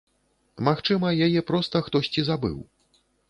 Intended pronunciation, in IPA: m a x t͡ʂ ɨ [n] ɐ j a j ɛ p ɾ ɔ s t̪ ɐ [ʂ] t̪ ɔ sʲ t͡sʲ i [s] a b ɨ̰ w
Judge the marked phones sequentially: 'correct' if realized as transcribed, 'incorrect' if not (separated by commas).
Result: incorrect, incorrect, incorrect